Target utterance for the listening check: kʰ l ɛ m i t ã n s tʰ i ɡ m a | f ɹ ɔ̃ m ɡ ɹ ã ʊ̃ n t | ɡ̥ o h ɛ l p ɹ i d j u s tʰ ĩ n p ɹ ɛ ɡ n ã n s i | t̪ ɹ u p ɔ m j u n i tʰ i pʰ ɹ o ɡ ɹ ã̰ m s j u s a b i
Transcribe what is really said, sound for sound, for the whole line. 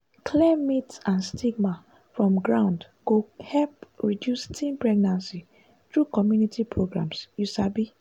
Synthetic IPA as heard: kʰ l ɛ m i t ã n s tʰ i ɡ m a | f ɹ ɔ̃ m ɡ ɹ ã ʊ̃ n d | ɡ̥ o h ɛ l p ɹ i d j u s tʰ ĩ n p ɹ ɛ ɡ n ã n s i | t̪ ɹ u k ɔ m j u n i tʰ i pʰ ɹ o ɡ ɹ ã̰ m s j u s a b i